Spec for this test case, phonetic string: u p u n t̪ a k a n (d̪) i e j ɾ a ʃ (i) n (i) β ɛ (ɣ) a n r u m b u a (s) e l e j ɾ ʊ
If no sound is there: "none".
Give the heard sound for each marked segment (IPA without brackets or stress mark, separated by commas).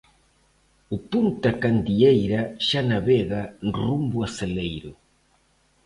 d̪, a, a, ɣ, s